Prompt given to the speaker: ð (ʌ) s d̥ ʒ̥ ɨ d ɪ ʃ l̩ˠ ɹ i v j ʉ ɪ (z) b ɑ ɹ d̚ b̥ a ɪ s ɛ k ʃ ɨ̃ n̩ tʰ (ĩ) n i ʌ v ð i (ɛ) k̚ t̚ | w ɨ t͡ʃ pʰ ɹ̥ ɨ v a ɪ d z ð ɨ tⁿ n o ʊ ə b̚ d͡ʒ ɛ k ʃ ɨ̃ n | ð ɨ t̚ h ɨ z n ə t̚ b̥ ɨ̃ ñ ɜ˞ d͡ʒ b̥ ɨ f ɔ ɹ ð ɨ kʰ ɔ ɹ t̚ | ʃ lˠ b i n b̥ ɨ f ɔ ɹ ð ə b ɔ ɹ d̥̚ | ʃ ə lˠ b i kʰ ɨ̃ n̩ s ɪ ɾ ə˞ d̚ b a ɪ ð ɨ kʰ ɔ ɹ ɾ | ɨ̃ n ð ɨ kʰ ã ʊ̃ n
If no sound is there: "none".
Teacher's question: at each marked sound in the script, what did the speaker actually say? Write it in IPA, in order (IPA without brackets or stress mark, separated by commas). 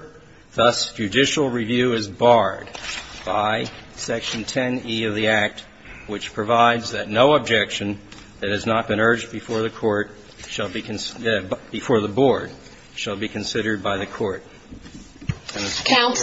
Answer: ʌ, z, ɛ̃, æ